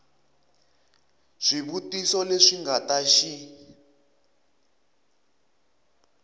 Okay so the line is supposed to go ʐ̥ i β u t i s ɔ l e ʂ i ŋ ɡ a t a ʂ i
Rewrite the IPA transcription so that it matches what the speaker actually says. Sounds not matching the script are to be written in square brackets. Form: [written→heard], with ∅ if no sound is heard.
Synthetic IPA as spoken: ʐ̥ i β u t i s ɔ l e ʂ i ŋ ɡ a t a [ʂ→ʃ] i